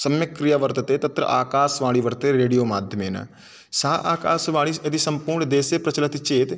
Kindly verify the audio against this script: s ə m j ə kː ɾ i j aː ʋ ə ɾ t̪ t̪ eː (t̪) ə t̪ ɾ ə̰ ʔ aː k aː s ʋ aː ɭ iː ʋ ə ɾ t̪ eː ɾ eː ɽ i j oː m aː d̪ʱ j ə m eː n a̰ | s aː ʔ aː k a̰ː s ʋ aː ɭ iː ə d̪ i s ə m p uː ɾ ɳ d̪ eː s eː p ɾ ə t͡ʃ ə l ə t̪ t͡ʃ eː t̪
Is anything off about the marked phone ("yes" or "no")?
no